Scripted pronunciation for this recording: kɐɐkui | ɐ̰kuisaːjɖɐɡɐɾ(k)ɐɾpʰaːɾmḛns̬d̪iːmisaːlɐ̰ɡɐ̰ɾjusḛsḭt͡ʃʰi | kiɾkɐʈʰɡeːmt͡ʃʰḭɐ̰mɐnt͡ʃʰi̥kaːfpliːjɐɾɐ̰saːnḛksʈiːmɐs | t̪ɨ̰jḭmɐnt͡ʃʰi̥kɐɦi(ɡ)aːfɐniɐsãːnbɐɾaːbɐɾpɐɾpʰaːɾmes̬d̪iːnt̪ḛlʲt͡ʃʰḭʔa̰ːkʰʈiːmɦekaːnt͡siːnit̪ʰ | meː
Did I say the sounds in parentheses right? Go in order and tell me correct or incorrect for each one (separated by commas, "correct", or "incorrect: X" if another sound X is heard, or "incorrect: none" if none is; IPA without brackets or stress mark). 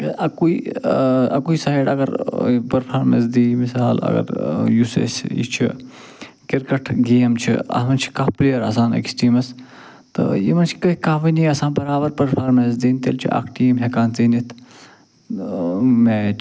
incorrect: p, incorrect: k